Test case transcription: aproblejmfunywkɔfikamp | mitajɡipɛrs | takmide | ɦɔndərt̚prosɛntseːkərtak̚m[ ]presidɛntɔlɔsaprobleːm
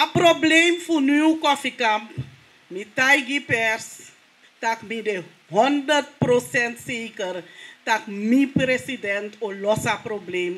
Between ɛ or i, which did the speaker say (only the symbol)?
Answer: i